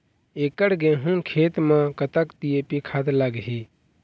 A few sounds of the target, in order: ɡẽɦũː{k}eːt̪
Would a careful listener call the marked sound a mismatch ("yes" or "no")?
yes